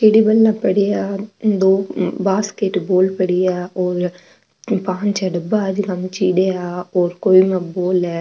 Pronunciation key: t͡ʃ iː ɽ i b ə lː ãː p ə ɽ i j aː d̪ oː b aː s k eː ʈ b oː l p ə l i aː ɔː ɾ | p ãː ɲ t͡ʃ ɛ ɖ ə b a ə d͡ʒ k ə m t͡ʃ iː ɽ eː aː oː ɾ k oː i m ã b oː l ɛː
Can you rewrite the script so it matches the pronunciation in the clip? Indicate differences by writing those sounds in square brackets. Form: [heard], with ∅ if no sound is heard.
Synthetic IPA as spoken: t͡ʃ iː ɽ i b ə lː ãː p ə ɽ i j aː d̪ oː b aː s k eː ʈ b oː l p ə [ɽ] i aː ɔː ɾ | p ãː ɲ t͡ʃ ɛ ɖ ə b a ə d͡ʒ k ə m t͡ʃ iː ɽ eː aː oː ɾ k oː i m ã b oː l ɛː